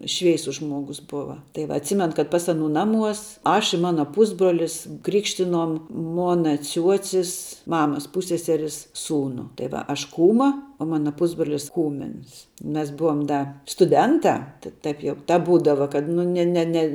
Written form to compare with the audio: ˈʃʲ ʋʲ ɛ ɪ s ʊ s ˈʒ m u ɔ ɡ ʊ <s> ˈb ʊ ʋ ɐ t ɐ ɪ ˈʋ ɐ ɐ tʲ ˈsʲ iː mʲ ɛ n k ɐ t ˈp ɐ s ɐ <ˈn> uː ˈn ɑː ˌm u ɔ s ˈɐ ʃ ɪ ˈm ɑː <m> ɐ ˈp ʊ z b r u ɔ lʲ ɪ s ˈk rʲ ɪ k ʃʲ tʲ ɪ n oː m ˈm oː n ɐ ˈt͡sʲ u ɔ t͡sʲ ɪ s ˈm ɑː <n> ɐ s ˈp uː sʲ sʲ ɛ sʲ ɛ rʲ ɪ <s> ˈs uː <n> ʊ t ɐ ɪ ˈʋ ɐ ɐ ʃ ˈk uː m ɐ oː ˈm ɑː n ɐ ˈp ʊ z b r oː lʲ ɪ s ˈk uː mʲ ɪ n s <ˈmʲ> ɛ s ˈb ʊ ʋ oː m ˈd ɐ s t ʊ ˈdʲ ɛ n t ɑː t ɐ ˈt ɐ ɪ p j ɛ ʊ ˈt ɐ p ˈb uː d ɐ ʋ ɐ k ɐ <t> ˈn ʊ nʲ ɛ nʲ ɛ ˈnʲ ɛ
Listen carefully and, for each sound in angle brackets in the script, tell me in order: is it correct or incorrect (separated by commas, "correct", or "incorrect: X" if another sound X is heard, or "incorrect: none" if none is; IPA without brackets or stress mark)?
correct, correct, incorrect: n, incorrect: m, correct, correct, correct, correct